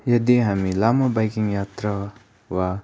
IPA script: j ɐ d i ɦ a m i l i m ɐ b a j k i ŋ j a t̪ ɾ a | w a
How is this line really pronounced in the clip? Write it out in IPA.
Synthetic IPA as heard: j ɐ d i ɦ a m i l a m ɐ b a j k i ŋ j a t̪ ɾ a | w a